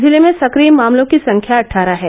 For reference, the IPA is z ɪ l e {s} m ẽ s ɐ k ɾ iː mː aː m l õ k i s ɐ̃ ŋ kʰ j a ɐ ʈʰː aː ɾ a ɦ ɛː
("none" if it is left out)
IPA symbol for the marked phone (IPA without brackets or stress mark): none